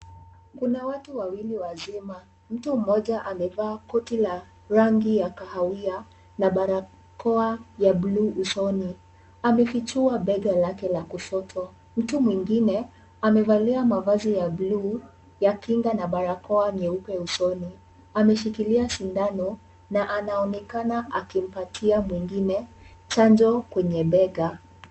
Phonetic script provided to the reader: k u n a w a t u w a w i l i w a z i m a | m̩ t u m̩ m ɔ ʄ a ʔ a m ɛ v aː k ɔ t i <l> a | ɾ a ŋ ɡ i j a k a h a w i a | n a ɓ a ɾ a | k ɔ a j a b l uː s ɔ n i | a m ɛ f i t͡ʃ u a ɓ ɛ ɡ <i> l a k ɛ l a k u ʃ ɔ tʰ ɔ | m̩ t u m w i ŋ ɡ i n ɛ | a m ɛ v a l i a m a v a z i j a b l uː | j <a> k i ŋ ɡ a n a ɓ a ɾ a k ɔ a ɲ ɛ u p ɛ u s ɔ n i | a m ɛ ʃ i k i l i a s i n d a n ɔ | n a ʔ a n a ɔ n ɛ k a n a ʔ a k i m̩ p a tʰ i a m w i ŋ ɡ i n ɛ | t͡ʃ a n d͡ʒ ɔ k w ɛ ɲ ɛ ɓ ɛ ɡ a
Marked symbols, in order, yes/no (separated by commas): yes, no, yes